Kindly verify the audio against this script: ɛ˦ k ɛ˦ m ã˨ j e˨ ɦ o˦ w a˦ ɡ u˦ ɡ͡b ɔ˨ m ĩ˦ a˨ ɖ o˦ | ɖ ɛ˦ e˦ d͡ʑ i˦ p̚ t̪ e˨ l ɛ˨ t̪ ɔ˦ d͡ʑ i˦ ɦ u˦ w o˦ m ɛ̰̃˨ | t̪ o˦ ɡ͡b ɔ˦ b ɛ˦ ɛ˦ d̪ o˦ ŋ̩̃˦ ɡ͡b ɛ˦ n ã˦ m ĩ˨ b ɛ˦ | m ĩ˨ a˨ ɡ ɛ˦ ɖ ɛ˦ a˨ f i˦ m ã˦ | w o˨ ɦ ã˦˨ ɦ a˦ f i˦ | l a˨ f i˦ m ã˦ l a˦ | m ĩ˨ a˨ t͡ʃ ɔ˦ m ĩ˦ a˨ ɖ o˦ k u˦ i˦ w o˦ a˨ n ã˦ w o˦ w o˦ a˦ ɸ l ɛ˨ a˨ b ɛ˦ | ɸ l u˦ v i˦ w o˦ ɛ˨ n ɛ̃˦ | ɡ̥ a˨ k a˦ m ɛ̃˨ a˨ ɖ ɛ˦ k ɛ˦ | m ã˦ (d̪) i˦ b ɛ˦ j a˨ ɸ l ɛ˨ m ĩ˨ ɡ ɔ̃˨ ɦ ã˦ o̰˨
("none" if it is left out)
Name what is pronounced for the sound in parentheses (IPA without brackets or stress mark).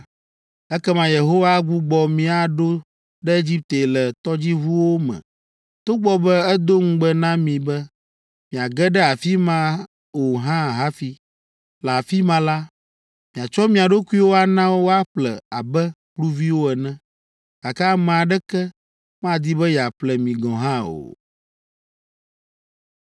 d̪